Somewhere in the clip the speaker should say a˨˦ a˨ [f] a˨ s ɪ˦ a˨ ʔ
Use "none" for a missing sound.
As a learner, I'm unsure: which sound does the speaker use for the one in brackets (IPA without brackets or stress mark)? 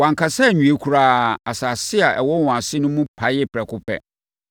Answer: s